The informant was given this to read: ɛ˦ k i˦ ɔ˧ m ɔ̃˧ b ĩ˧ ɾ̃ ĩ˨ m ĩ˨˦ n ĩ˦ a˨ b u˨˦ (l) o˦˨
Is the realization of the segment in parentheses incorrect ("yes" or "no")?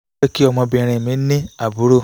yes